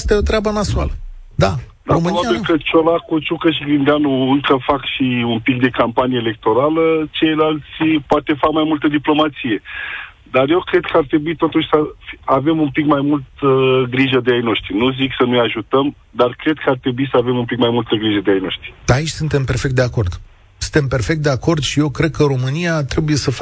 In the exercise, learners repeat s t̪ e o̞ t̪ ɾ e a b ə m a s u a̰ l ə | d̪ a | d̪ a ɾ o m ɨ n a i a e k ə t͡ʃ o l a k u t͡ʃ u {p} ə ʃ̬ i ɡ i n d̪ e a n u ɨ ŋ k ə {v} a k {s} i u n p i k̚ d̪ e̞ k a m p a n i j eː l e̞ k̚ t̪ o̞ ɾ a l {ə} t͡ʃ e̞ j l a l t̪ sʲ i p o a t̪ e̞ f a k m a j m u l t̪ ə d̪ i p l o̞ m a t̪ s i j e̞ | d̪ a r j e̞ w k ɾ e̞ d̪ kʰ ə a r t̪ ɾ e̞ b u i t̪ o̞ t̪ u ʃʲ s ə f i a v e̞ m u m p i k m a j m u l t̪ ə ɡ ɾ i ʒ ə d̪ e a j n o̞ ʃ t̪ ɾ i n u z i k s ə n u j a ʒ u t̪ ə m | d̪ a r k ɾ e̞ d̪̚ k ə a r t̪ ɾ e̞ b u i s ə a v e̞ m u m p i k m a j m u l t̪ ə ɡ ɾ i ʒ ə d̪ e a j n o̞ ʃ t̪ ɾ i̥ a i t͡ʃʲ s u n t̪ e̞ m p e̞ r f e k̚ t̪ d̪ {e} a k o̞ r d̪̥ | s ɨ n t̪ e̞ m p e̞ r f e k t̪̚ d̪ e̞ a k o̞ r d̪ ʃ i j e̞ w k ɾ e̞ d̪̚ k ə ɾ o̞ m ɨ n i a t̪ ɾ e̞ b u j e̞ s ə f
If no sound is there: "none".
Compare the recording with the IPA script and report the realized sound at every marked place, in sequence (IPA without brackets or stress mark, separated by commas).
k, f, ʃ, ə, e